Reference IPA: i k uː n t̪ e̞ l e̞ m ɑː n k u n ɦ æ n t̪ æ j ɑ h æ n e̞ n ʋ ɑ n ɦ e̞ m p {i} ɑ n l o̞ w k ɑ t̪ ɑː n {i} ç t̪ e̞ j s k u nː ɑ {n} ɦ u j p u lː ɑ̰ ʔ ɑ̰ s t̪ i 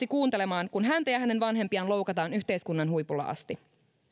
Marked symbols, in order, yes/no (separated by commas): yes, no, yes